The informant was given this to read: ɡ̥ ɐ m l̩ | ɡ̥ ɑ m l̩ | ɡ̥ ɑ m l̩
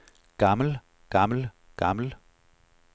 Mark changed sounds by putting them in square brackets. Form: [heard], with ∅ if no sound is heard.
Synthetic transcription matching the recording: ɡ̥ [ɑ] m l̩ | ɡ̥ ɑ m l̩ | ɡ̥ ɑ m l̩